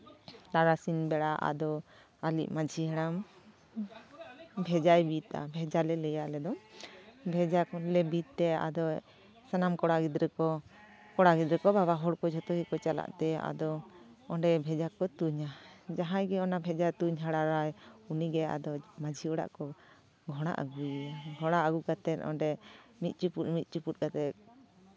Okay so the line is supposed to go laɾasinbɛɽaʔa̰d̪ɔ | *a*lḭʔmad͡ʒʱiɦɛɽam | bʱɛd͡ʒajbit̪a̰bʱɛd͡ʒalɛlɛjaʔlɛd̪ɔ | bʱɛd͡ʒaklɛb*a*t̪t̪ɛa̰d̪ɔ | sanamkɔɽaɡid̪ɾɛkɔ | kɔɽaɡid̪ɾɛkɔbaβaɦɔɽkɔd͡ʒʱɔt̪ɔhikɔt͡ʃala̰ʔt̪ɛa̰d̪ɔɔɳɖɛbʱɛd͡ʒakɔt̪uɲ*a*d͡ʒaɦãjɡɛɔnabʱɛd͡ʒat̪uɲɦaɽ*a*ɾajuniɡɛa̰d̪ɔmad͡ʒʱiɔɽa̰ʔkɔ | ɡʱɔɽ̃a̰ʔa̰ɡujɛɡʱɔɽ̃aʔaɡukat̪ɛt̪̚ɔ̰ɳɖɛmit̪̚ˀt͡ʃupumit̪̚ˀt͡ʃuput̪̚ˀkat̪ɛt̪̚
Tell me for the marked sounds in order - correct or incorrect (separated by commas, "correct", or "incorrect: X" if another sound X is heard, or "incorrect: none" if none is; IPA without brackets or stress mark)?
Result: correct, incorrect: i, correct, correct